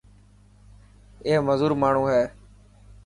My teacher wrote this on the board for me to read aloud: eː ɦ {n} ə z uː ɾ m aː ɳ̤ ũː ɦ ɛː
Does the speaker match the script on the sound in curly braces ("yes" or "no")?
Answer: no